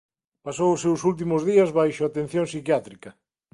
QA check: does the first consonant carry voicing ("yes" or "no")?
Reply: no